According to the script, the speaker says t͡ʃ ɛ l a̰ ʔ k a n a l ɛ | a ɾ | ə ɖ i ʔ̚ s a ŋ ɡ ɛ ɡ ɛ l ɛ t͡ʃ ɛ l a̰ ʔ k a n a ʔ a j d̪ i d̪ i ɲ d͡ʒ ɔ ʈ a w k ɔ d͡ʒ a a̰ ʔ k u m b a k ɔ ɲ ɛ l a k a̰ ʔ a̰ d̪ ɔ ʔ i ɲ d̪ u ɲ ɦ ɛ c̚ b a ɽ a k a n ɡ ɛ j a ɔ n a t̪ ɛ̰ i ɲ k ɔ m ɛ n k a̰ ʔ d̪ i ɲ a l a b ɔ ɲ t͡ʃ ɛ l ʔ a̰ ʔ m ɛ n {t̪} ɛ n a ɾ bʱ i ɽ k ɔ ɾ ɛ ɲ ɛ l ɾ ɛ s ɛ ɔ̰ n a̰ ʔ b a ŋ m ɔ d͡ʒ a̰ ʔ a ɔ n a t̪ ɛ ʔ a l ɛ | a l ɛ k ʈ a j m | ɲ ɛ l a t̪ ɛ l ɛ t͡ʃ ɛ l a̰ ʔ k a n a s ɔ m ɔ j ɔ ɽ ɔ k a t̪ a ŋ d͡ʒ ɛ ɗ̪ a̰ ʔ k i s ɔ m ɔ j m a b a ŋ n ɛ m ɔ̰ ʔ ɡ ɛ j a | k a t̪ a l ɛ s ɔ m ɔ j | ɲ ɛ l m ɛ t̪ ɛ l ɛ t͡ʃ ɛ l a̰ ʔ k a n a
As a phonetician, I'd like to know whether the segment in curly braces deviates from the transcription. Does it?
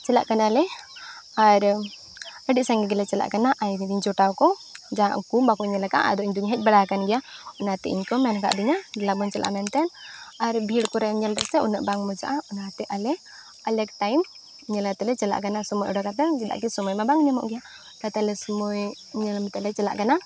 no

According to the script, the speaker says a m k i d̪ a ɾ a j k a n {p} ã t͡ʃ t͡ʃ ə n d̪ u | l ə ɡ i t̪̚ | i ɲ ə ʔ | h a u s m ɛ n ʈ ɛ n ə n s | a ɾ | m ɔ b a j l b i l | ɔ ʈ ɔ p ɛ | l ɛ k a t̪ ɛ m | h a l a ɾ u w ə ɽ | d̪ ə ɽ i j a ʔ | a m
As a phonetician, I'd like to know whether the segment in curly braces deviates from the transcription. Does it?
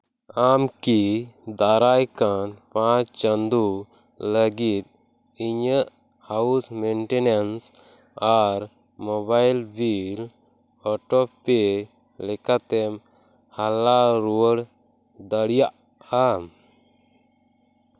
no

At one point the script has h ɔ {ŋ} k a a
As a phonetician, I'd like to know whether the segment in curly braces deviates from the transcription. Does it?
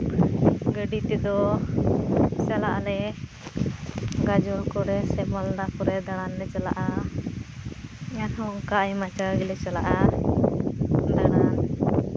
no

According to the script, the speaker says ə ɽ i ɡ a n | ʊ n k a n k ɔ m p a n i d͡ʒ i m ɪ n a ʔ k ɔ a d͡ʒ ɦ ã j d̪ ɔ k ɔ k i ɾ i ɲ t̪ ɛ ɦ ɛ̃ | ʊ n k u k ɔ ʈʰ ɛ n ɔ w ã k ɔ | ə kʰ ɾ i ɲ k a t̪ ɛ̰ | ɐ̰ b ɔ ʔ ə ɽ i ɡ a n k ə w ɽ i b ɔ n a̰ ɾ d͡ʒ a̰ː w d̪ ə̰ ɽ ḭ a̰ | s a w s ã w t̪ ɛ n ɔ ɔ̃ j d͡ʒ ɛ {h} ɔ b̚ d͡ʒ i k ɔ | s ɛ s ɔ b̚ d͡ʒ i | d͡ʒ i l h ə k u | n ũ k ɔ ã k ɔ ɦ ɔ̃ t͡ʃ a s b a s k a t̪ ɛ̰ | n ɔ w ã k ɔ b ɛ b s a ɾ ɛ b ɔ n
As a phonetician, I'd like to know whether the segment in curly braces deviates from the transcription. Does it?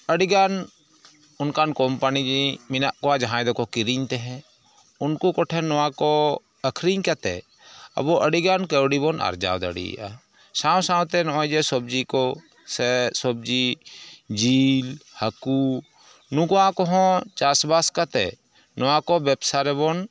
yes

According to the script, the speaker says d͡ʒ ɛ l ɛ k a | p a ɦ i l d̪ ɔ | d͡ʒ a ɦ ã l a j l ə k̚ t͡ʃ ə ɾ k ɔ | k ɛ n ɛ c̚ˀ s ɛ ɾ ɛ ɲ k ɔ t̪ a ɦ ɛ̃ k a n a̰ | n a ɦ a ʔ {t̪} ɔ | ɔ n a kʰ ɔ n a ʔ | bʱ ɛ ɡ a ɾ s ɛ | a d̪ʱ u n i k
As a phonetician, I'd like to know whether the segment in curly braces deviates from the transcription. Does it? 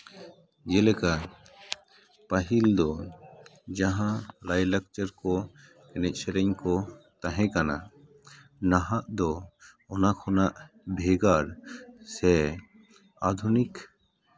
yes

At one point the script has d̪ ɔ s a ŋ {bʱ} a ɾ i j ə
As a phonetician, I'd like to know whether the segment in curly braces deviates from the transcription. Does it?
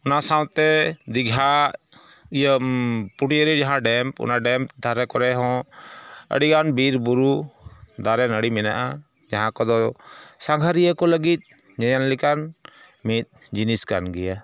yes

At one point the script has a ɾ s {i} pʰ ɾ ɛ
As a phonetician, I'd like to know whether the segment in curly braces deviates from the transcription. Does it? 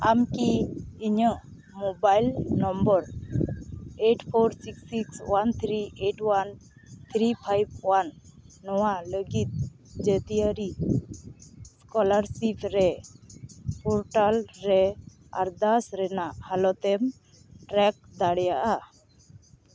no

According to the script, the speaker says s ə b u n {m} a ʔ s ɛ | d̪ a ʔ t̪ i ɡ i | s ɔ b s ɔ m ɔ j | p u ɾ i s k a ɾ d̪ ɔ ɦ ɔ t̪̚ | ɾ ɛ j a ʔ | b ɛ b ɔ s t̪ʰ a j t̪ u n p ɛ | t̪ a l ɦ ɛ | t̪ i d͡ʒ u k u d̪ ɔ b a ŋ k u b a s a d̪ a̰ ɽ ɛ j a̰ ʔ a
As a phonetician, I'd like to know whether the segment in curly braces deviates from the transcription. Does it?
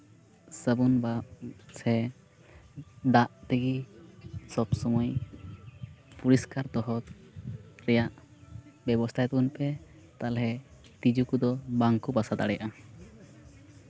yes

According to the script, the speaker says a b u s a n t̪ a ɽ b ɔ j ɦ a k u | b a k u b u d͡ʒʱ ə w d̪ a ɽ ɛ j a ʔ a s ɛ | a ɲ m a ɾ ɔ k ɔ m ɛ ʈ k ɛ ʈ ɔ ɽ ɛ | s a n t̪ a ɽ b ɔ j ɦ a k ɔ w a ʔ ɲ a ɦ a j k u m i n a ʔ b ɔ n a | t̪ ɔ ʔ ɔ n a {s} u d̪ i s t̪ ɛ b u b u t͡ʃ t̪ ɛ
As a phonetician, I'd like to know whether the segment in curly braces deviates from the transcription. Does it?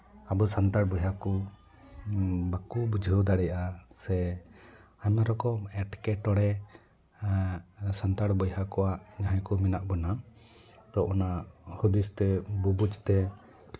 yes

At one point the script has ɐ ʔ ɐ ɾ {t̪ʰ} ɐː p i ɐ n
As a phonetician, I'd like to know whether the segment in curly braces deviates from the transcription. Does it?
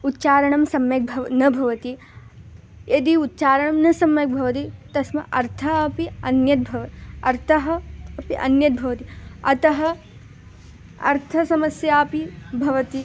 no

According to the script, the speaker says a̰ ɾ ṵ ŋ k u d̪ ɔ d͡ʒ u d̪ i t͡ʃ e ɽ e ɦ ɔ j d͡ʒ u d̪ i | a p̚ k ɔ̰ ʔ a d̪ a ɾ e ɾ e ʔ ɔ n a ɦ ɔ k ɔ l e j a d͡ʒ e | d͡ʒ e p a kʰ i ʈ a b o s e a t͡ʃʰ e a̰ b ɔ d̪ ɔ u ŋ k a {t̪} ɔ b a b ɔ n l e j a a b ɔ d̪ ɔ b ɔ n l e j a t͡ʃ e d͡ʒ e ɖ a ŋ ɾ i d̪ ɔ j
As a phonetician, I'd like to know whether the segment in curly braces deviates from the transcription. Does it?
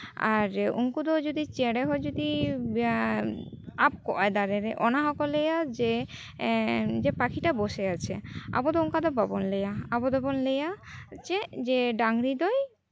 yes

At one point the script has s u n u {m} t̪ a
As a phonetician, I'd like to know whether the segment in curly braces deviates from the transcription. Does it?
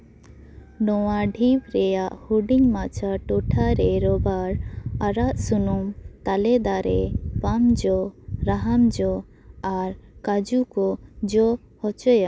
no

